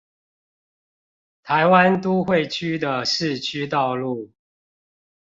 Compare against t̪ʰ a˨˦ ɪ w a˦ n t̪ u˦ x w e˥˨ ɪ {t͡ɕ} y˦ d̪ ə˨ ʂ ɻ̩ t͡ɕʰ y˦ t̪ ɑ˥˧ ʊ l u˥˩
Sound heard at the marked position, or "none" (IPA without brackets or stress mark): t͡ɕʰ